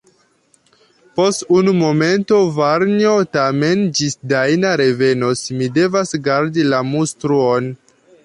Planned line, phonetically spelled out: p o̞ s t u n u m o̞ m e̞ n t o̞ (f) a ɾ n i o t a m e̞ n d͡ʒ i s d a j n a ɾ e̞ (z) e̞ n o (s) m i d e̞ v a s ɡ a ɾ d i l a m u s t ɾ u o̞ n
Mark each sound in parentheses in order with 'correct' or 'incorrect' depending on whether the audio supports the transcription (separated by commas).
incorrect, incorrect, correct